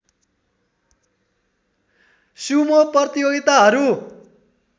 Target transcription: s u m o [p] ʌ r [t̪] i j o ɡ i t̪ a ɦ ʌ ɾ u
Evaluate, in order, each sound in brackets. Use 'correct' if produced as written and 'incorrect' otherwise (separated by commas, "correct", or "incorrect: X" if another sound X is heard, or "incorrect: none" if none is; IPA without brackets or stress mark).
correct, correct